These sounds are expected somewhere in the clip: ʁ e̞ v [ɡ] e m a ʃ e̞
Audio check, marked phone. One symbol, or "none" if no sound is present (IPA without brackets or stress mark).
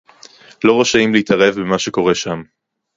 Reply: b